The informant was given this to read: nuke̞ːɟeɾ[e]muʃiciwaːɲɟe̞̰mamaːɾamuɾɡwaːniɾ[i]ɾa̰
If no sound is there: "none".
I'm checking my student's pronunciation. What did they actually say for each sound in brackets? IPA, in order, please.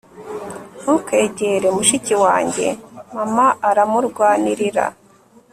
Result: e, i

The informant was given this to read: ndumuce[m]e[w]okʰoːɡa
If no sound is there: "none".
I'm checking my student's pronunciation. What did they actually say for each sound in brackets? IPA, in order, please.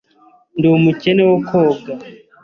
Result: n, w

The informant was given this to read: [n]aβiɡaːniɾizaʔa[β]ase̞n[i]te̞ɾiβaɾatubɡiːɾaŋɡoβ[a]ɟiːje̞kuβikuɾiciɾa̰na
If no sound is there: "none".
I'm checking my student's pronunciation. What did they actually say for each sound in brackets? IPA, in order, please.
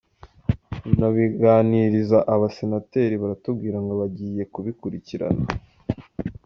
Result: n, β, a, a

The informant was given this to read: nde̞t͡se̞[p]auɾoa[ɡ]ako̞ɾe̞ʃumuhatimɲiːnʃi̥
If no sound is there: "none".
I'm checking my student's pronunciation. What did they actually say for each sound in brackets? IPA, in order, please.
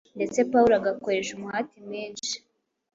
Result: p, ɡ

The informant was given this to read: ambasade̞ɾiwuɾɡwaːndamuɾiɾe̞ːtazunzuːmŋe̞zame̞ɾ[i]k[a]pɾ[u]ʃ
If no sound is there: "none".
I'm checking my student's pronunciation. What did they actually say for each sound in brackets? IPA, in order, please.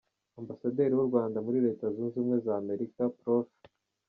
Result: i, a, o

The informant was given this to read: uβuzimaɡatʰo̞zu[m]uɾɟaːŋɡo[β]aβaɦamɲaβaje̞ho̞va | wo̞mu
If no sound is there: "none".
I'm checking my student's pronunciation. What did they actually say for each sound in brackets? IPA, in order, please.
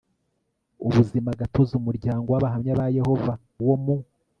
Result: m, w

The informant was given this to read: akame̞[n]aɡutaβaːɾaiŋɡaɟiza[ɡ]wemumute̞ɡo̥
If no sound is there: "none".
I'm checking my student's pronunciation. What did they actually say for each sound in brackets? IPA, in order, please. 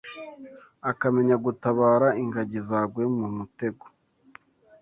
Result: ɲ, ɡ

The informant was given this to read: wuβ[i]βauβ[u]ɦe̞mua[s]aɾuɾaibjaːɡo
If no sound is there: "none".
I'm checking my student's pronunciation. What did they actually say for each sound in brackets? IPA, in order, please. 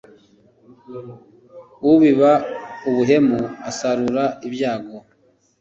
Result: i, u, s

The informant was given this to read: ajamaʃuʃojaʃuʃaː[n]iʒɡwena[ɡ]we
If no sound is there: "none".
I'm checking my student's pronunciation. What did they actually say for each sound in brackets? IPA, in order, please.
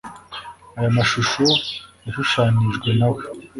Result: n, none

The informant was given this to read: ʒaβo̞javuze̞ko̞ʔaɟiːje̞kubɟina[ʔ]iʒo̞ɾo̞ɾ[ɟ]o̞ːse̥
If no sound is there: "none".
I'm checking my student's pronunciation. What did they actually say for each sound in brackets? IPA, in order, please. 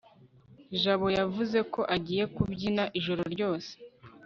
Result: ʔ, ɟ

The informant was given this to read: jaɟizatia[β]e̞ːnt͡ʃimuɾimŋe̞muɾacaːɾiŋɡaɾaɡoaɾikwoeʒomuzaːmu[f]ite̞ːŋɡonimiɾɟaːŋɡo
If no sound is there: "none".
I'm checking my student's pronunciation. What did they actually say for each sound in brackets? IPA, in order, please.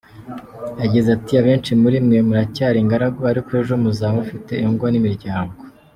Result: β, f

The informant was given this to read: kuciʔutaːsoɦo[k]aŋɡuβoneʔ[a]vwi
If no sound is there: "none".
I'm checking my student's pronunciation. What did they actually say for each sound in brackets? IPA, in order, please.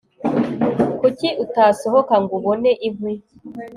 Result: k, i

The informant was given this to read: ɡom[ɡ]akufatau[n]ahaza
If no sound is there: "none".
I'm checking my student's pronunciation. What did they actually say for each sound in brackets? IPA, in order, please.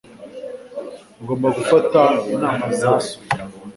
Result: b, n

